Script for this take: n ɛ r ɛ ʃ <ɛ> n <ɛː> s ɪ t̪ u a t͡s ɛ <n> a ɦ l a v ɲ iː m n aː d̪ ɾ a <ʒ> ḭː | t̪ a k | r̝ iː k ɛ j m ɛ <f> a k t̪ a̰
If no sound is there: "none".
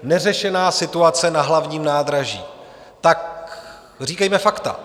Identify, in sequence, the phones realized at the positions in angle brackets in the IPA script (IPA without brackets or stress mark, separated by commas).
ɛ, aː, n, ʒ, f